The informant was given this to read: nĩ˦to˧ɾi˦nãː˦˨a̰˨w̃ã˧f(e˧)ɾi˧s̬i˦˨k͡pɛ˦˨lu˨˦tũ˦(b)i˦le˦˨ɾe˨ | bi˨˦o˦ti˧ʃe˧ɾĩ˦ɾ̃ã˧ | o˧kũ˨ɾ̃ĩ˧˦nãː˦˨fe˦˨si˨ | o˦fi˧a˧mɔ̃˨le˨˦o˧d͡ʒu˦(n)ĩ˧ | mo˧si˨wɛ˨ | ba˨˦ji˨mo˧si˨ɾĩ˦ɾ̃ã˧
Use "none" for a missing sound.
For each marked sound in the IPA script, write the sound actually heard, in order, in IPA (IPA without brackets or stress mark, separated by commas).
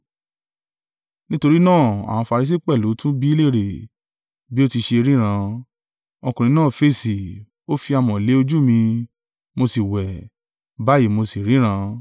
a˧, b, m